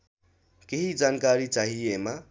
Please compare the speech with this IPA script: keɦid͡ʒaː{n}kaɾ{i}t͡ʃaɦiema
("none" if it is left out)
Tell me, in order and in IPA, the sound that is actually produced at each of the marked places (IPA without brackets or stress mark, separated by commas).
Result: n, i